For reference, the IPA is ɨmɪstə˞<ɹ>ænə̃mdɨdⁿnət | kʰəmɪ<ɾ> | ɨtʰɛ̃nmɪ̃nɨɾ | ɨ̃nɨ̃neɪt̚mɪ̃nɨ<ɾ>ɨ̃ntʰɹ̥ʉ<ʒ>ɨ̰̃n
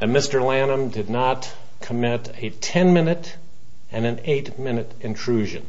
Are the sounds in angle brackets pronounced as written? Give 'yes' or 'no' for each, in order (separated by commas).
no, yes, yes, yes